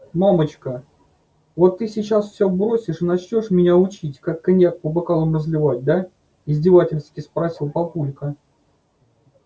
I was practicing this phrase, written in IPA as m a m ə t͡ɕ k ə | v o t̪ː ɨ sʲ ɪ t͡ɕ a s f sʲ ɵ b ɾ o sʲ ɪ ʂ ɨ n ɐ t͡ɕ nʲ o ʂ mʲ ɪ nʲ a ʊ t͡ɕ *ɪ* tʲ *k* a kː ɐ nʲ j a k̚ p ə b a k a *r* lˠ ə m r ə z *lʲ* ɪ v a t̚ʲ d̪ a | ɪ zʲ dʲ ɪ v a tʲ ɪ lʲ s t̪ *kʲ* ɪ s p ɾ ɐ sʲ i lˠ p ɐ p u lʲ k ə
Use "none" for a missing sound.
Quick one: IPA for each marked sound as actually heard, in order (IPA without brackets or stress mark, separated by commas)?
i, k, none, lʲ, kʲ